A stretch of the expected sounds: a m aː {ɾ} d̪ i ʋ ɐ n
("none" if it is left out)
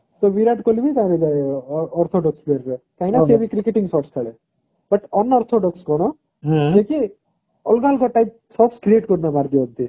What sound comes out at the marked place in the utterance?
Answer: ɾ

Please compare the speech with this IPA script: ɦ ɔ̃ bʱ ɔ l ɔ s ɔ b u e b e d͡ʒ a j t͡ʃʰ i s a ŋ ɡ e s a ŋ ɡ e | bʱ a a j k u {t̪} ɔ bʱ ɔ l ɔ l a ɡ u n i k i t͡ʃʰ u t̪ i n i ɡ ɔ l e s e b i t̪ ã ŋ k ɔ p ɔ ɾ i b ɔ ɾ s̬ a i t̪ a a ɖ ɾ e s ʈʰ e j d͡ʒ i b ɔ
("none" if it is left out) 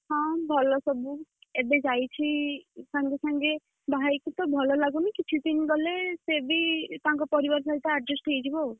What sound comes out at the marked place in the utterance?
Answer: t̪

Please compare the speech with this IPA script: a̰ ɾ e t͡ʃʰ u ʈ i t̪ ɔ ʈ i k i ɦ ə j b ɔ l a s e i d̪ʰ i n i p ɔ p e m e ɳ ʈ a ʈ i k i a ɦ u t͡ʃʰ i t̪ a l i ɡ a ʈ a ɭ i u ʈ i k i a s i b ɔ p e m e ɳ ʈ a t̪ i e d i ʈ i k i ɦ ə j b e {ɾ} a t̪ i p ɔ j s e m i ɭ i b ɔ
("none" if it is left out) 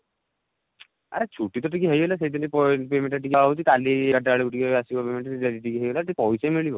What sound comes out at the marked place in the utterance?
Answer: l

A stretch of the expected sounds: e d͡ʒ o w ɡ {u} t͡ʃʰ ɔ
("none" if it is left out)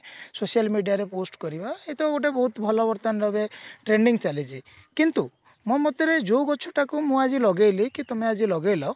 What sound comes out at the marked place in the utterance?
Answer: ɔ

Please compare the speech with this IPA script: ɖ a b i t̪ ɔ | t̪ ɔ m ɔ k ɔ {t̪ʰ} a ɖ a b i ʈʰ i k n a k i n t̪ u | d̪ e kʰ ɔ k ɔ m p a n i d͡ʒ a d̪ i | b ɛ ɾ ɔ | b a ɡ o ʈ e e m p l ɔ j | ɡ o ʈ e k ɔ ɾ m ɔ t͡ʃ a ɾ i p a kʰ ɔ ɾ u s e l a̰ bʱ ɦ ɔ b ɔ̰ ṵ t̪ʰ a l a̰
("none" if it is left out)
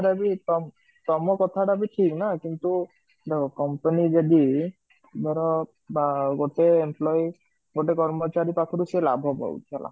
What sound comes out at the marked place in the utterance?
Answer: t̪ʰ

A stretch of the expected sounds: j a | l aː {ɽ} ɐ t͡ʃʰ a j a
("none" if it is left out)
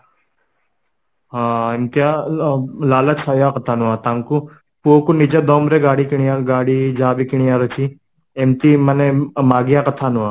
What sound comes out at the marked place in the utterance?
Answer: l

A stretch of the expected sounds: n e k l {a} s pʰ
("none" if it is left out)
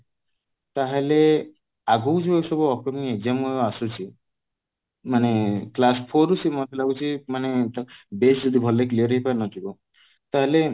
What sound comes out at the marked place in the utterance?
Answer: a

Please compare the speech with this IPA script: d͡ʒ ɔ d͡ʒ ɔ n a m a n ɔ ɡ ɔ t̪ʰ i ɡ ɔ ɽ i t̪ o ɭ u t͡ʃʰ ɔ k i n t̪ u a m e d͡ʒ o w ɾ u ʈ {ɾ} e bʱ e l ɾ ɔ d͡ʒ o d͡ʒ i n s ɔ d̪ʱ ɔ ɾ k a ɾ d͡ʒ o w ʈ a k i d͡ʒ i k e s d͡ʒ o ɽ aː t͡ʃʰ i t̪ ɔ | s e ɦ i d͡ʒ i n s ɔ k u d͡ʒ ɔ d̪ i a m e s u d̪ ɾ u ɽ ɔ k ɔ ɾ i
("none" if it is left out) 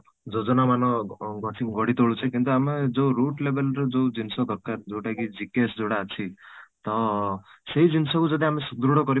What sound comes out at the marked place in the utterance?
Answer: l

